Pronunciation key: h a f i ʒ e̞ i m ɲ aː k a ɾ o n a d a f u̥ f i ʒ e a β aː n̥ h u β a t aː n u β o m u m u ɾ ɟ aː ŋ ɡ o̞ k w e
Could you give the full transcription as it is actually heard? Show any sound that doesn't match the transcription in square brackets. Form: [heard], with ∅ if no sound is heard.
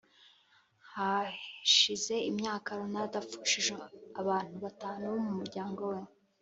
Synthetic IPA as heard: h a [ʃ] i [z] e̞ i m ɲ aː k a ɾ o n a d a f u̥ [ʃ] i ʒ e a β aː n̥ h u β a t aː n u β o m u m u ɾ ɟ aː ŋ ɡ o̞ [∅] w e